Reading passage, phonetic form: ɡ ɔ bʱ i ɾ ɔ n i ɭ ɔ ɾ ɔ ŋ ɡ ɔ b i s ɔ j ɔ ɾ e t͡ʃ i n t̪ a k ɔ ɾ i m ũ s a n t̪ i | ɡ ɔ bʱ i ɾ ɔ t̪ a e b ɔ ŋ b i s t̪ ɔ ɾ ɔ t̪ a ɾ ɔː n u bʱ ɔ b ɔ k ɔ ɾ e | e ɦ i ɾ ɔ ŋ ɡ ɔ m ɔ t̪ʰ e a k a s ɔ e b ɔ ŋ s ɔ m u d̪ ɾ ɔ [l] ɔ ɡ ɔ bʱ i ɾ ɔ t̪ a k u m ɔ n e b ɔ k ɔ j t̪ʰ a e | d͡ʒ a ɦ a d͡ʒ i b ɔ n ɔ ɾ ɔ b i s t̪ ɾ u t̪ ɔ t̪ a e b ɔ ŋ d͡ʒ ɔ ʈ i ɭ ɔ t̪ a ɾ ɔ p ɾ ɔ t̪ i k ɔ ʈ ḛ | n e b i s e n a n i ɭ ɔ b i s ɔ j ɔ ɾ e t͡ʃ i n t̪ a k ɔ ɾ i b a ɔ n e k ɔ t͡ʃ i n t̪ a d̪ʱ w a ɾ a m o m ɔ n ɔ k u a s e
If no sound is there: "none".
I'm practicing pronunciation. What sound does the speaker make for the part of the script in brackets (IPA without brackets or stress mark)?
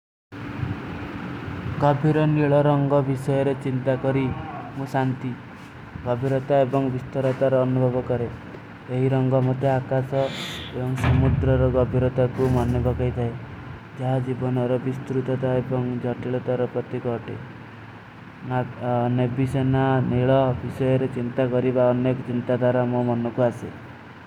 ɾ